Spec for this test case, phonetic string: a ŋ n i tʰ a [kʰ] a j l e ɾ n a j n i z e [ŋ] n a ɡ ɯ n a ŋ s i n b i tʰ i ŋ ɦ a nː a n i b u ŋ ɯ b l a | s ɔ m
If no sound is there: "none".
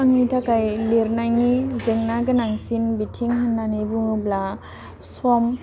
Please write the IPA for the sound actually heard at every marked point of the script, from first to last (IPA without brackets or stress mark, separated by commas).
k, ŋ